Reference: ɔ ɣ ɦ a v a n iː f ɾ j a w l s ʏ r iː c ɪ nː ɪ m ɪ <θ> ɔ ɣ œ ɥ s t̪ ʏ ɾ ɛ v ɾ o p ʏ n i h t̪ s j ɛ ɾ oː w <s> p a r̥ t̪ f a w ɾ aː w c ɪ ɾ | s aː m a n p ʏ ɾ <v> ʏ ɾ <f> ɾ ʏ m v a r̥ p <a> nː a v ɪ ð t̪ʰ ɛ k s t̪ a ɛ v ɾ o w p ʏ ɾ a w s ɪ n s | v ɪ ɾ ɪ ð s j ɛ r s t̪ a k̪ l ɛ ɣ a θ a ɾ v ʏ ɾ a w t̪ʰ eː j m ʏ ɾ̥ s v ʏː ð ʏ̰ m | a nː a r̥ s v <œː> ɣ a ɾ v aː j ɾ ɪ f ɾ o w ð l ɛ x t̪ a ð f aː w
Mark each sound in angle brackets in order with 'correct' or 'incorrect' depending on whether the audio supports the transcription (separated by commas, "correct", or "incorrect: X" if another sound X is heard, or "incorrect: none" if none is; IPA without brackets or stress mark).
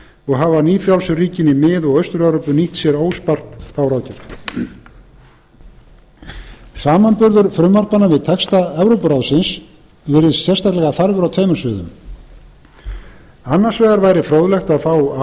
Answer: incorrect: ð, correct, incorrect: ð, correct, correct, incorrect: ɛː